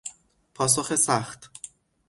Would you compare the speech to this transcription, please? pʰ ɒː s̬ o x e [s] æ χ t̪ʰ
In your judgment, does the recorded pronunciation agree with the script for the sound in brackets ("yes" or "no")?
yes